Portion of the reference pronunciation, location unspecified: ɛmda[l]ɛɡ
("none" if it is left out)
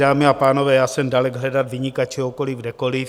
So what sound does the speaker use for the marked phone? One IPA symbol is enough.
l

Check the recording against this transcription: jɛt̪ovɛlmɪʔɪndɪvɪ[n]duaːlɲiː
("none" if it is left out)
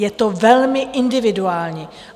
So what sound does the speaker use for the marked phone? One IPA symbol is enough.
none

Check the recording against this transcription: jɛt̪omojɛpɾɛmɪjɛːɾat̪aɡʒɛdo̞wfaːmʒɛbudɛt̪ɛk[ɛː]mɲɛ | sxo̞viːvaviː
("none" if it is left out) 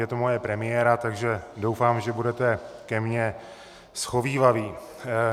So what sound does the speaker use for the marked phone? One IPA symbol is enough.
ɛ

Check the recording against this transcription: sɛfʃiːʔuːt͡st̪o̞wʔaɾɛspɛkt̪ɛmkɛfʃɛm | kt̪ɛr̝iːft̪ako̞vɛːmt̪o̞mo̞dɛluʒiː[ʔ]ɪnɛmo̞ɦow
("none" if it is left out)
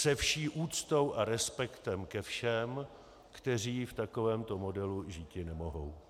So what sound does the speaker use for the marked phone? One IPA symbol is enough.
c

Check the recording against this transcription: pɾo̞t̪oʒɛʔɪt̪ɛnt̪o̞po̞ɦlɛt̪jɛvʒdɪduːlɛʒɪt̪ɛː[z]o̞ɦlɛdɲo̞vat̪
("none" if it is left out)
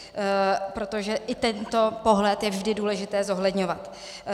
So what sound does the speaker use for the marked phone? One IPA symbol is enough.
z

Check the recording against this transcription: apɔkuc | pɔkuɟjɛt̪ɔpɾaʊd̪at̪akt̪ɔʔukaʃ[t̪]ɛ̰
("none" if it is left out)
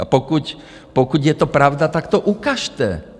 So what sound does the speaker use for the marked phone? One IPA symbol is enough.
t̪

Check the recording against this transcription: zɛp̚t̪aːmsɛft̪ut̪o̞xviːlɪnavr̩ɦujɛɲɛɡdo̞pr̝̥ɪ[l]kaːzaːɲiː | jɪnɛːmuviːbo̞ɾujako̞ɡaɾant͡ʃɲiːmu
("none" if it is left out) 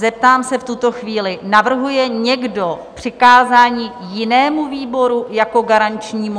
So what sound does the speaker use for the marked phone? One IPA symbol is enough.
none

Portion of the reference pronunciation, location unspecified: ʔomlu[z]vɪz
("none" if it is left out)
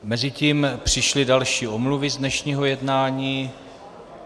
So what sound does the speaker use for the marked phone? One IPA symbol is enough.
none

